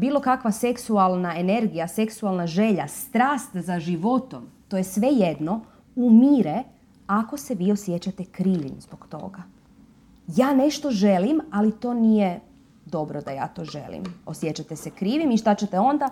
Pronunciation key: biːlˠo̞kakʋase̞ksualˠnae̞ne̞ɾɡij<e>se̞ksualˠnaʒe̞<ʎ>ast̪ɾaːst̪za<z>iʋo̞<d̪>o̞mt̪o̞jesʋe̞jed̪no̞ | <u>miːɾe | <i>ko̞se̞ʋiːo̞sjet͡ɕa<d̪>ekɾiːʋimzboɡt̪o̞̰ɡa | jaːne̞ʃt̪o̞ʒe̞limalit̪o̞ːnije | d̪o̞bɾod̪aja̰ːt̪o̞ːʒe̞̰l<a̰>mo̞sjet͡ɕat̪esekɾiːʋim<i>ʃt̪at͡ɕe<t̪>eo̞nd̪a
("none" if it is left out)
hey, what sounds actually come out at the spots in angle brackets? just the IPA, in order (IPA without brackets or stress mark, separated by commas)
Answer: a, ʎ, ʒ, t̪, u, a, t̪, ḭ, i, t̪